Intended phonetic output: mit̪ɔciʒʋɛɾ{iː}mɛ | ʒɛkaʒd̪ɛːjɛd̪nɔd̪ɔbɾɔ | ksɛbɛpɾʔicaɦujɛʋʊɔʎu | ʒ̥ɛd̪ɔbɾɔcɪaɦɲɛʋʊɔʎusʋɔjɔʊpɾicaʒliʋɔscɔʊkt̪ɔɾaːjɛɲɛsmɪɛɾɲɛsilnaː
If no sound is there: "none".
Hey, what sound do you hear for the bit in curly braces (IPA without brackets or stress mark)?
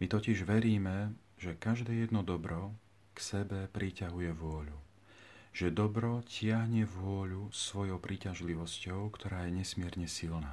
iː